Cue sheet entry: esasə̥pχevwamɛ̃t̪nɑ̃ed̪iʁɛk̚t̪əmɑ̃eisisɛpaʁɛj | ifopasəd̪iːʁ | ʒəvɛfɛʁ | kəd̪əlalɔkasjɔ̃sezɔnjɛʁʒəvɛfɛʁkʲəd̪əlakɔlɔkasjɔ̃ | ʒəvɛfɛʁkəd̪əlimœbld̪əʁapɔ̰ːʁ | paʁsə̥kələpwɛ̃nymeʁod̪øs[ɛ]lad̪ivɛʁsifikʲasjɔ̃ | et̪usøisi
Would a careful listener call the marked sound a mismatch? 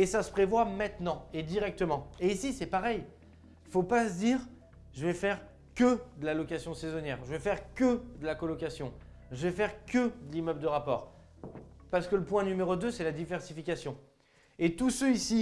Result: no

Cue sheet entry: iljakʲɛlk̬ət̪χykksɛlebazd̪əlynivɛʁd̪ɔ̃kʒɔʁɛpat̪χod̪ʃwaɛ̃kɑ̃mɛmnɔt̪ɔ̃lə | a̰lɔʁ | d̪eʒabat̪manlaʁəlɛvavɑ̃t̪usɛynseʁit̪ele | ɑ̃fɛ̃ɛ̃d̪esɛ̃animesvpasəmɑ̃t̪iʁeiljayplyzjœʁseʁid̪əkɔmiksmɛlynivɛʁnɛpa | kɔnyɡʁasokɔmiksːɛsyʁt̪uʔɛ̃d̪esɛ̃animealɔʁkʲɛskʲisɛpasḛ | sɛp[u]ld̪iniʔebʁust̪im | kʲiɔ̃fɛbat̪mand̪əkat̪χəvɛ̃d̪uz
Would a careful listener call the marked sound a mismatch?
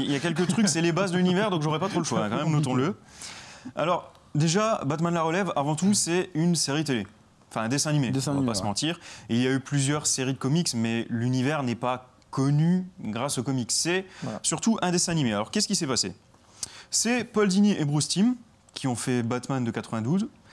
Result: yes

